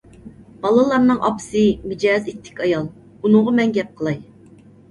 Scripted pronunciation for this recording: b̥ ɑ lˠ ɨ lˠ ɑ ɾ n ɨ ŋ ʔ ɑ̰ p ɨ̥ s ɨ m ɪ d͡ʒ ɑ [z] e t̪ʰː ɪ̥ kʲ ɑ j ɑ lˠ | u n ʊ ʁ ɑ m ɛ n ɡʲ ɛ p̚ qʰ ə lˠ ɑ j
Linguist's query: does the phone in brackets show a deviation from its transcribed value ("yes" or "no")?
no